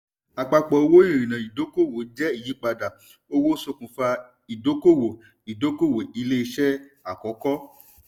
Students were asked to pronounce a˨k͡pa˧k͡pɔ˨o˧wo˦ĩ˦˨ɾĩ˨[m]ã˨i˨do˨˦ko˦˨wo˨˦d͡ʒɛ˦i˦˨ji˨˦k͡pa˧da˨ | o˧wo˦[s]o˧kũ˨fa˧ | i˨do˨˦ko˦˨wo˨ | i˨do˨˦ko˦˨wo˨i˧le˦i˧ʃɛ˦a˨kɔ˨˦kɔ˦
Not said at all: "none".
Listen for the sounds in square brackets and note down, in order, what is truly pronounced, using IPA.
n, s

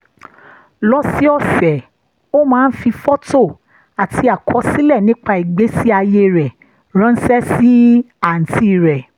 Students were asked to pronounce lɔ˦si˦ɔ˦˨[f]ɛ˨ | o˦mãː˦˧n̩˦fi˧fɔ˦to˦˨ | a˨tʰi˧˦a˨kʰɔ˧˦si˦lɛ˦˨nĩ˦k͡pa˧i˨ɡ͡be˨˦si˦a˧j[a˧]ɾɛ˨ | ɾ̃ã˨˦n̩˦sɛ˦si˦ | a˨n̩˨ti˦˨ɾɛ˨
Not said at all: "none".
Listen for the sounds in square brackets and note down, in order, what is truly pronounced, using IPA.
f, e˧

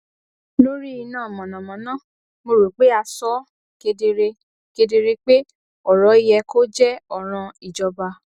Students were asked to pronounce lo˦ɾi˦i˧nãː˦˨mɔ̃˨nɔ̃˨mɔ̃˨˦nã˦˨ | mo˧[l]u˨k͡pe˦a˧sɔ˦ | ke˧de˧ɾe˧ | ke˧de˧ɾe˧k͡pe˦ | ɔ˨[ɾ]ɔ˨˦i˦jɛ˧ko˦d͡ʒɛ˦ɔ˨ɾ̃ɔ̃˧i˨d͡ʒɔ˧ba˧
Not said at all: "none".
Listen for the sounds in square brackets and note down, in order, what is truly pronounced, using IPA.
ɾ, ɾ

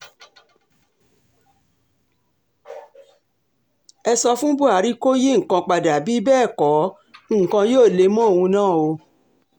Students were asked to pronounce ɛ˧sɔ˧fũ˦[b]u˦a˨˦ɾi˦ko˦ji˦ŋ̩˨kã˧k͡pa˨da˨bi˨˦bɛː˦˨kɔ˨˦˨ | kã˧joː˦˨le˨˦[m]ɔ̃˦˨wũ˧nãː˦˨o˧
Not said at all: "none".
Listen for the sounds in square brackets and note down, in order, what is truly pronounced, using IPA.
b, m

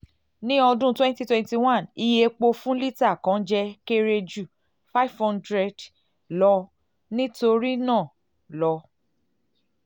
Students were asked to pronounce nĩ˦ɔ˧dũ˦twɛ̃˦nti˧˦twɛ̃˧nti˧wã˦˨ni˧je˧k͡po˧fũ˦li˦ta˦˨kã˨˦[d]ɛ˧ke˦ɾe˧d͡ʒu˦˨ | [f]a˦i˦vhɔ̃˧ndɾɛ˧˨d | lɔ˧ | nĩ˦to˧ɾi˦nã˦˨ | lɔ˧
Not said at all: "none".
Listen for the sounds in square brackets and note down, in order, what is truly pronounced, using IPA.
d͡ʒ, f

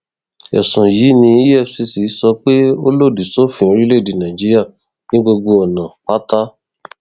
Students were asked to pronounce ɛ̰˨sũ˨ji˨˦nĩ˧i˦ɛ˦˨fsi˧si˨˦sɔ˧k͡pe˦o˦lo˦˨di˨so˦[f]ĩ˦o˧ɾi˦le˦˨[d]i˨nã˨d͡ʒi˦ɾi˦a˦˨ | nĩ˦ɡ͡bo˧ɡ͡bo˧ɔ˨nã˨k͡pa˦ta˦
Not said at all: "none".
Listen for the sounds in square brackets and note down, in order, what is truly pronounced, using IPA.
f, d

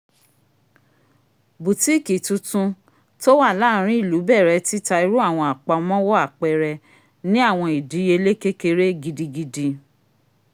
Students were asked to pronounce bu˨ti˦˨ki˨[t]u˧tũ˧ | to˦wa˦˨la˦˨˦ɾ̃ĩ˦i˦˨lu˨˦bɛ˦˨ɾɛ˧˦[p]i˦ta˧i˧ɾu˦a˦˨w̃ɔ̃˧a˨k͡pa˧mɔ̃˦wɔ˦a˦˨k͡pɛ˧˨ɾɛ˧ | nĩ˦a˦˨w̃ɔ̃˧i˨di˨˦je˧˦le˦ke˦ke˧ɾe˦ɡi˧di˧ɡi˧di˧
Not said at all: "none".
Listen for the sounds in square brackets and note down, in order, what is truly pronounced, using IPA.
t, t

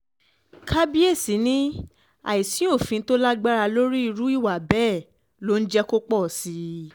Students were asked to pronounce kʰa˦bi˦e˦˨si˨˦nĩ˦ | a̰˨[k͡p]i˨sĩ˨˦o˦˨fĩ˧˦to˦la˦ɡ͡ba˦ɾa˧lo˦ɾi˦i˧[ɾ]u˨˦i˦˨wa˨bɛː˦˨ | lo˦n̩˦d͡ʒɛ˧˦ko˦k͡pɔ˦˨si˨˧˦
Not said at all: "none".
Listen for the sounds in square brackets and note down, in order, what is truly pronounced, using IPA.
none, ɾ

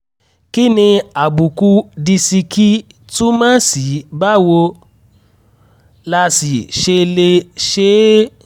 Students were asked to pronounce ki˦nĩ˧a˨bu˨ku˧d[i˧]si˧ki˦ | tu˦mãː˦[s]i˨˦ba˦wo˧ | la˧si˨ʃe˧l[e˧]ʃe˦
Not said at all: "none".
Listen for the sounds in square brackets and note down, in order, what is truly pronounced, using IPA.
i˧, s, e˧

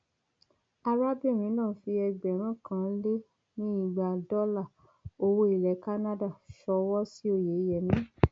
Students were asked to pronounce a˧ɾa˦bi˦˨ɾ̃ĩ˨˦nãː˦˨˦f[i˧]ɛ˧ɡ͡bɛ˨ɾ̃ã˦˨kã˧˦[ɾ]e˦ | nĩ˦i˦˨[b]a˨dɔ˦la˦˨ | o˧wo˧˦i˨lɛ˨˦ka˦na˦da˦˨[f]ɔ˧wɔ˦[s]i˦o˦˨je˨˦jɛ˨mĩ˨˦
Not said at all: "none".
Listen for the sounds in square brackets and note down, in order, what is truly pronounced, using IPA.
i˧, l, ɡ͡b, ʃ, s

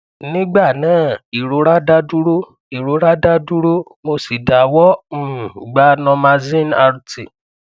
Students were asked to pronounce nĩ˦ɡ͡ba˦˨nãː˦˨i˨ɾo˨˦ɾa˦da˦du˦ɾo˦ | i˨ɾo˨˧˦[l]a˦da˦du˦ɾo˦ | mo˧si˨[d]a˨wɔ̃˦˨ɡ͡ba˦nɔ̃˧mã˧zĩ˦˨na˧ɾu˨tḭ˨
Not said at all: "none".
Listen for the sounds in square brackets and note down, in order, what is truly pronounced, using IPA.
ɾ, d

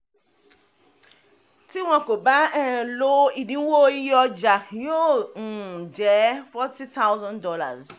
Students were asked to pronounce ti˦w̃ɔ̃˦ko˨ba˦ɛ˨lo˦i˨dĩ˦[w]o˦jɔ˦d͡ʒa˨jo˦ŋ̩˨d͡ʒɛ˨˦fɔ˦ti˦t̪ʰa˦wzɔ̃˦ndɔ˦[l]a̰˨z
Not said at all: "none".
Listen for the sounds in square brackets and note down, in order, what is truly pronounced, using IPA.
w, l

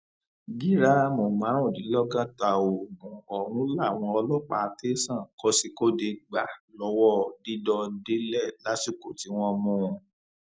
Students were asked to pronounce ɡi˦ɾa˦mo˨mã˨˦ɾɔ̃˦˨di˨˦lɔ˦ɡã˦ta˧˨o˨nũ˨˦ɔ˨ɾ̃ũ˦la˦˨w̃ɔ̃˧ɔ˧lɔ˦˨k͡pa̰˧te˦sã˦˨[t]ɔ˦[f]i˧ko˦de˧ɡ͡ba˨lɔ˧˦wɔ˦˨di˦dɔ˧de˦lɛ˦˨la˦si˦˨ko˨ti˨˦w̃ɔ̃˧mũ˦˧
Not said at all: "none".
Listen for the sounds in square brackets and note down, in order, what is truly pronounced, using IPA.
k, s

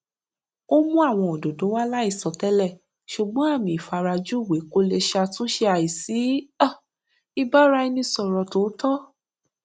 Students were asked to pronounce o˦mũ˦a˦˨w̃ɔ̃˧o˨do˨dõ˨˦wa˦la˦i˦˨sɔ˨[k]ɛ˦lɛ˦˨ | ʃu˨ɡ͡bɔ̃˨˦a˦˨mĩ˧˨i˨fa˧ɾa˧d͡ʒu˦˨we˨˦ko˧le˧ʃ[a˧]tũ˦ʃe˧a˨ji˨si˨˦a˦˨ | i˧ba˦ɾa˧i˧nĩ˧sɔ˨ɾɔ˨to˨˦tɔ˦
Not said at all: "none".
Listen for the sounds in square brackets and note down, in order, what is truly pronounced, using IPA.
t, a˧

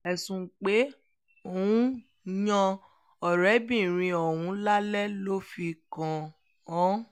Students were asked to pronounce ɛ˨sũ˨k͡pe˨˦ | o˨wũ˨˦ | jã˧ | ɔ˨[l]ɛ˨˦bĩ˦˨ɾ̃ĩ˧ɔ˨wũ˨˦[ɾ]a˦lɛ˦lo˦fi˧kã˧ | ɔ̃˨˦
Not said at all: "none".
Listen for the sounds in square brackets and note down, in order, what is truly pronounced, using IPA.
ɾ, l

